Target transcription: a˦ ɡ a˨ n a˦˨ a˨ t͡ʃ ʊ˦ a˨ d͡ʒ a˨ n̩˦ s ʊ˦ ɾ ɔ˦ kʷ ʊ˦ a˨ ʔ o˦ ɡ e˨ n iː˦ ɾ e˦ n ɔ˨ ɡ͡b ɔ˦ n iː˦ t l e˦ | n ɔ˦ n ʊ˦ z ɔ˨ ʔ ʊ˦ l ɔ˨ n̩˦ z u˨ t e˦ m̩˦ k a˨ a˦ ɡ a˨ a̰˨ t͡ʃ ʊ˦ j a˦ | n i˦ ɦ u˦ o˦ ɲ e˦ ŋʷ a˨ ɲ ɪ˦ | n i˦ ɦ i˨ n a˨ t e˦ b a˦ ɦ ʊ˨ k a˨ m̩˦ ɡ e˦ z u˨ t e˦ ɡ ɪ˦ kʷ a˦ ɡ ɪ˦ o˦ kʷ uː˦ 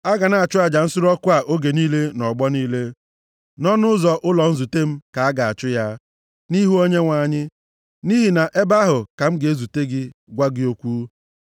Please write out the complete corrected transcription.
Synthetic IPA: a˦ ɡ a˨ n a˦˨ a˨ t͡ʃ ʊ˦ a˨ d͡ʒ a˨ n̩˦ s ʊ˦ ɾ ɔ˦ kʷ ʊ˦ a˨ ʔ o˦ ɡ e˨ n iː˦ l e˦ n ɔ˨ ɡ͡b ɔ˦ n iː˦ l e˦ | n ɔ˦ n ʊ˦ z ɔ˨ ʔ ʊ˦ l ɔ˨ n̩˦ z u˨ t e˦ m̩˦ k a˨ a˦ ɡ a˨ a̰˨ t͡ʃ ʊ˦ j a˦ | n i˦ ɦ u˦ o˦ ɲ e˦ ŋʷ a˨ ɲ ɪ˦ | n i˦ ɦ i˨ n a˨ ʔ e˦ b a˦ ɦ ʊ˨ k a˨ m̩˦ ɡ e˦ z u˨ t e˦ ɡ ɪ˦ ɡʷ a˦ ɡ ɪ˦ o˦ kʷ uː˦

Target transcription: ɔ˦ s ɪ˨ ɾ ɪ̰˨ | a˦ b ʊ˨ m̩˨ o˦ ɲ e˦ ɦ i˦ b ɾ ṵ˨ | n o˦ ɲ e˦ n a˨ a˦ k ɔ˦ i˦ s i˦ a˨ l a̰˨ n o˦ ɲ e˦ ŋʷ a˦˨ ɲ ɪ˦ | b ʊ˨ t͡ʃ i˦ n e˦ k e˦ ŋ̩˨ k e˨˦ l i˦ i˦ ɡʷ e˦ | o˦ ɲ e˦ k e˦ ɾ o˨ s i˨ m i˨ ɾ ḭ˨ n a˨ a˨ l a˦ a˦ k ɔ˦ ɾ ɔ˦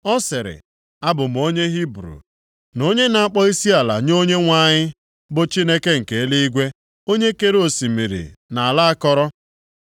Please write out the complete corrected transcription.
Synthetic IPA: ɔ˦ s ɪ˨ ɾ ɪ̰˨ | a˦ b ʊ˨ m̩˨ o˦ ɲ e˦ ɦ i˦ b ɾ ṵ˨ | n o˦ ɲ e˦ n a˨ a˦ k͡p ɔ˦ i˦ s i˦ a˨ l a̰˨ ɲ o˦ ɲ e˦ ŋʷ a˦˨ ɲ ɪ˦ | b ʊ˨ t͡ʃ i˦ n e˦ k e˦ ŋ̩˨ k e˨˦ l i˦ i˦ ɡʷ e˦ | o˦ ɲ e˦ k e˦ ɾ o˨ s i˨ m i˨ ɾ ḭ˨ n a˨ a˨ l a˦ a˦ k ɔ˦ ɾ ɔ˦

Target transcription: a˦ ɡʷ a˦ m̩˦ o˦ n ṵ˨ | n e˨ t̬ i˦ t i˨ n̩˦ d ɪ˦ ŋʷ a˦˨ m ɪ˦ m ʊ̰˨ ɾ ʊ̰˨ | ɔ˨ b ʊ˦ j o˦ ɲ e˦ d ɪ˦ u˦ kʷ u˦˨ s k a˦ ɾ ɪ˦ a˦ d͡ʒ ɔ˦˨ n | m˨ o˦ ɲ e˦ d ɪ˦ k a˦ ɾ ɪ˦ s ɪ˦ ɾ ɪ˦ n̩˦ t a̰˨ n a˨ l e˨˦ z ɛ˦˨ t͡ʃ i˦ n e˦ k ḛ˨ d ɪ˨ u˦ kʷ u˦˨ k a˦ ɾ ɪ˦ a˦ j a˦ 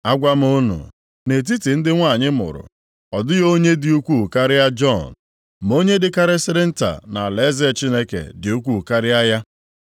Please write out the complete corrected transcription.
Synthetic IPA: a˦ ɡʷ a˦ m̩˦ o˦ n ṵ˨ | n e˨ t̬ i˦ t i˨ n̩˦ d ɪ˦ ŋʷ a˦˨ ɲ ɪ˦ m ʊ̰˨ ɾ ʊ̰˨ | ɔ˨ d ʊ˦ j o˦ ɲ e˦ d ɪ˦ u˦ kʷ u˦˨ k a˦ ɾ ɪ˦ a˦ d͡ʒ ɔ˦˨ n | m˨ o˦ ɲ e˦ d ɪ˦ k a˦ ɾ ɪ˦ s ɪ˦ ɾ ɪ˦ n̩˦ t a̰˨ n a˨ l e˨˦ z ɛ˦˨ t͡ʃ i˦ n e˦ k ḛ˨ d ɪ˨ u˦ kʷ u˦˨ k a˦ ɾ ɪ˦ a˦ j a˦

